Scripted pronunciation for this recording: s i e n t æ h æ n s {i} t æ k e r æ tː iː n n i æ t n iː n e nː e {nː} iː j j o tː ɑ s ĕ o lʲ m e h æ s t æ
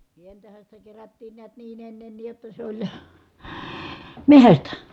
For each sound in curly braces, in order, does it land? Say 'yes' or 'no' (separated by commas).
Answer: yes, yes